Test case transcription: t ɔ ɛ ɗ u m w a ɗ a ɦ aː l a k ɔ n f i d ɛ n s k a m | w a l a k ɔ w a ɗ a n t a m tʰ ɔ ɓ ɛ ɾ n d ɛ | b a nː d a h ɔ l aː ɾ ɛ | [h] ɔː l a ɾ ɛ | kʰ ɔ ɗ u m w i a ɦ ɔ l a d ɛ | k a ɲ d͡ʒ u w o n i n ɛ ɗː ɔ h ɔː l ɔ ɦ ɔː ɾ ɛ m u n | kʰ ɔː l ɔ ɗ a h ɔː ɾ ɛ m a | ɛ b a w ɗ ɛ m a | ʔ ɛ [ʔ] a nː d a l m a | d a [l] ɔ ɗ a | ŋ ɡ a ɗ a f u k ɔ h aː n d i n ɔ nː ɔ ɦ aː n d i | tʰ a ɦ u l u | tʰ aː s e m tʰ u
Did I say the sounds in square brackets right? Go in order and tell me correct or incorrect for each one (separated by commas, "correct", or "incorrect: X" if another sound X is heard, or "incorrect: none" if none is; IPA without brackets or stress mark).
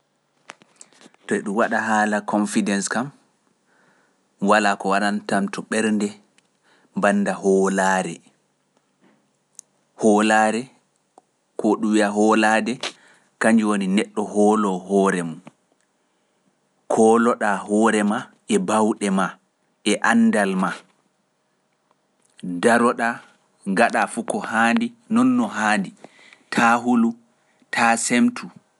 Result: correct, correct, incorrect: ɾ